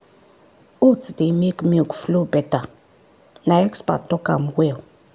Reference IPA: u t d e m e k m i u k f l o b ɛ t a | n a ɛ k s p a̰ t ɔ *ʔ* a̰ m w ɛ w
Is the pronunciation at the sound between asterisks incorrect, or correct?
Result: incorrect